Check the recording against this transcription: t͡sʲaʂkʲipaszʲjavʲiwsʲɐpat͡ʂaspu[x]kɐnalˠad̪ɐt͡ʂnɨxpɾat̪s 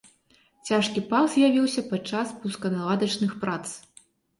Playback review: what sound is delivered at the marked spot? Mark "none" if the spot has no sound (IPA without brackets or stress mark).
s